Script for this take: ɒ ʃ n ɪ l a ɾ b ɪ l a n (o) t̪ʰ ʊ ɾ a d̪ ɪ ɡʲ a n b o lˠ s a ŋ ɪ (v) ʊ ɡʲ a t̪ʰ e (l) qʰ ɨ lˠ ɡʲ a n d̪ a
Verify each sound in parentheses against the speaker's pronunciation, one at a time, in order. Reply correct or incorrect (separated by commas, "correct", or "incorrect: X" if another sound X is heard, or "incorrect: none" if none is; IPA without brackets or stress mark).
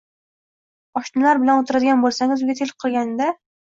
correct, incorrect: z, correct